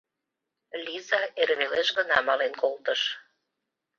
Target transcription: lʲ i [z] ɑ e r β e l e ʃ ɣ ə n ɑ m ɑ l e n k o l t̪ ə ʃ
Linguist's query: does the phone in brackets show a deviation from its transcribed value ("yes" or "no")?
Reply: no